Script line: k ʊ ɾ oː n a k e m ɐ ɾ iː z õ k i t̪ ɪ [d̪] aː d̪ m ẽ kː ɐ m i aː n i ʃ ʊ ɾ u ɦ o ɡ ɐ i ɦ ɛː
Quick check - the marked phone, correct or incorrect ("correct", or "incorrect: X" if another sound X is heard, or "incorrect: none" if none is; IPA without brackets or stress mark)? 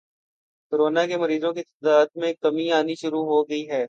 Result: correct